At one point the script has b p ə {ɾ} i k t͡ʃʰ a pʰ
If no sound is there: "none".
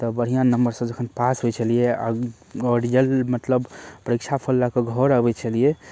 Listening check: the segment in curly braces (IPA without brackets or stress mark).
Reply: ɾ